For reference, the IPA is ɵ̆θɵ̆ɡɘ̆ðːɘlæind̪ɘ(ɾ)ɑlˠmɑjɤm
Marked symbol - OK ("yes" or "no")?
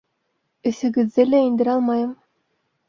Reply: yes